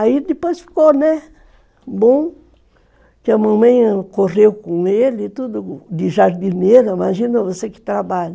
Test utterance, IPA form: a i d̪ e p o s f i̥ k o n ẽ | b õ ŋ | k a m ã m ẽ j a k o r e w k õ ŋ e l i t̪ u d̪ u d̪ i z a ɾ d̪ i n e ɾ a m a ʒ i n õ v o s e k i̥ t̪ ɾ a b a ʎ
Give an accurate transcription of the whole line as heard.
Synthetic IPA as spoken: a i d̪ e p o s f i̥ k o n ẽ | b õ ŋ | k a m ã m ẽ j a k o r e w k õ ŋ e l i t̪ u d̪ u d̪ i ʒ a ɾ d̪ i n e ɾ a m a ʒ i n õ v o s e k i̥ t̪ ɾ a b a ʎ